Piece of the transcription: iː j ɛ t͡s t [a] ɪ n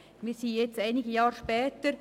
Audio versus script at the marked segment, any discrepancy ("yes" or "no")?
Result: no